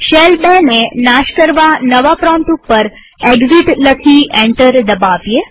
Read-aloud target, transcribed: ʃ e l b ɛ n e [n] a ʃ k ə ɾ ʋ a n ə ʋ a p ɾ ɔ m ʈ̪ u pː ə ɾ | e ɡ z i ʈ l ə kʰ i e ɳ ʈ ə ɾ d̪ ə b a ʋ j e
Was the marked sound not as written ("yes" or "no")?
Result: no